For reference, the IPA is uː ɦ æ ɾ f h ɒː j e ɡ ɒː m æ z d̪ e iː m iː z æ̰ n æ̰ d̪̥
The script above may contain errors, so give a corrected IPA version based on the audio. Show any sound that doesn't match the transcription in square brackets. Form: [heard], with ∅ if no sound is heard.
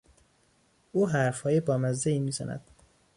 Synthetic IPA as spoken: uː ɦ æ ɾ f h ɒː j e [b] ɒː m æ z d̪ e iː m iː z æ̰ n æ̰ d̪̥